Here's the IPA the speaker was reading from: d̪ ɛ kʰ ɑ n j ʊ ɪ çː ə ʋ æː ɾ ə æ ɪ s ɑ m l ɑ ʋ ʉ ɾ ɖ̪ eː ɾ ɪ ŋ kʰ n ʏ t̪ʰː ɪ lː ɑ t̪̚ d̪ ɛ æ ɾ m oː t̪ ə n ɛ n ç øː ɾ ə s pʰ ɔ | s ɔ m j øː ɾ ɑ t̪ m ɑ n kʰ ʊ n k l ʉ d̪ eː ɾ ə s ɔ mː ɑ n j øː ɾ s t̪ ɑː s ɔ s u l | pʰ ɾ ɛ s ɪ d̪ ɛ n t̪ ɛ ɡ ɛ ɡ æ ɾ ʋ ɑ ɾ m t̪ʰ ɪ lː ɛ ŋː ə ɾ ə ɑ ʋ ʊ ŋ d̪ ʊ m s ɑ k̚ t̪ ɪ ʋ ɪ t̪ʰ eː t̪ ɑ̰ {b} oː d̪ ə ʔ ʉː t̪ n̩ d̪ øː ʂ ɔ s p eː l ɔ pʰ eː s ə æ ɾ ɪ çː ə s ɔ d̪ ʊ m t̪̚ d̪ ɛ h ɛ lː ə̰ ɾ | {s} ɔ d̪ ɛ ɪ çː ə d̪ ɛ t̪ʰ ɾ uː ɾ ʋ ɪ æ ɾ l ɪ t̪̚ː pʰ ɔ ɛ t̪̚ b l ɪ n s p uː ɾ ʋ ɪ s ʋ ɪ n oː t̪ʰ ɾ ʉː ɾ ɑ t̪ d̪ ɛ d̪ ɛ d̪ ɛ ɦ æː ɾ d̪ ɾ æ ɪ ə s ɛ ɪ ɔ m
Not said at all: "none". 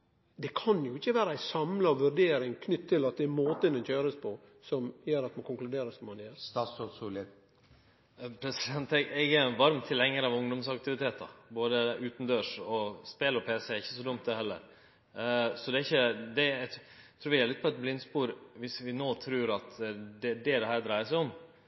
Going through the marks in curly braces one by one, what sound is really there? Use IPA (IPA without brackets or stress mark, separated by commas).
b, s